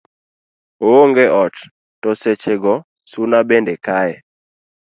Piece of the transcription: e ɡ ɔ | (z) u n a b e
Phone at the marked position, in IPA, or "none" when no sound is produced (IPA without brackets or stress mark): s